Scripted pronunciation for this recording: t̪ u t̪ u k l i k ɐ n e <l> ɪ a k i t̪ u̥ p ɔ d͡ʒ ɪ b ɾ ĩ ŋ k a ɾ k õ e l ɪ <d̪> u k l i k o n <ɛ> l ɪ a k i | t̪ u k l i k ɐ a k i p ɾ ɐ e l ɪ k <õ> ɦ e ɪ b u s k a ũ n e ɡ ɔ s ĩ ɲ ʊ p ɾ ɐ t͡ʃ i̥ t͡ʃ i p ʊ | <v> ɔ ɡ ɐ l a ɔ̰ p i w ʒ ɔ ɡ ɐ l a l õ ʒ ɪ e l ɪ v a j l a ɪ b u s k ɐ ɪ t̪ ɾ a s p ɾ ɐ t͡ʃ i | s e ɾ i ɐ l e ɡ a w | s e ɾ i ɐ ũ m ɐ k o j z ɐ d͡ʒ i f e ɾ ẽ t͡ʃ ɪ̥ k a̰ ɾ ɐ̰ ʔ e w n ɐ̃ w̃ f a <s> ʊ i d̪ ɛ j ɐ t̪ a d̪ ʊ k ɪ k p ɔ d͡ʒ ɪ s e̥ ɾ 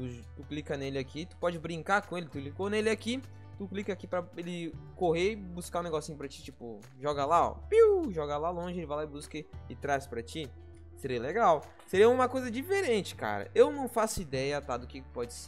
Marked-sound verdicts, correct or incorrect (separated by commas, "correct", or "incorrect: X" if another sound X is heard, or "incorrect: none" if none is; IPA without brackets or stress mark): correct, incorrect: t̪, incorrect: e, incorrect: o, incorrect: ʒ, correct